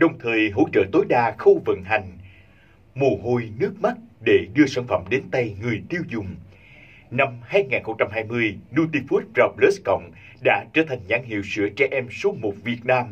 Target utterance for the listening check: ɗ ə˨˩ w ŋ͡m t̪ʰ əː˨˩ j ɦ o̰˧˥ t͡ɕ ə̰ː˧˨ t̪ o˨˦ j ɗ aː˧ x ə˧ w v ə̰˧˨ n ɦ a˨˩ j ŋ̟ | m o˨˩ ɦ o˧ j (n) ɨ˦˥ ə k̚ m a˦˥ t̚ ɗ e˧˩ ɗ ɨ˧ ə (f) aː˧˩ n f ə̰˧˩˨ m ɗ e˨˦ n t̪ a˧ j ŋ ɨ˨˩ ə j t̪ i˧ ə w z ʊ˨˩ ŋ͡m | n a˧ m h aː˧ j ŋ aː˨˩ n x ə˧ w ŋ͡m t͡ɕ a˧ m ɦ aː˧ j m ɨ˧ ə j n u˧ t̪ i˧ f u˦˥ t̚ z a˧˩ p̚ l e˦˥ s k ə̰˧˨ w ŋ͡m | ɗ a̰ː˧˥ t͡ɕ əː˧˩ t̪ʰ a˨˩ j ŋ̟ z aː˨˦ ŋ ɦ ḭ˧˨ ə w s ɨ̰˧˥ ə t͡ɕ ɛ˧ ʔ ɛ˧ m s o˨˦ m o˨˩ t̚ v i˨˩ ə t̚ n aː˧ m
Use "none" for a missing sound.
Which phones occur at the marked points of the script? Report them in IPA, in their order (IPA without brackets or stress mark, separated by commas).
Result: n, s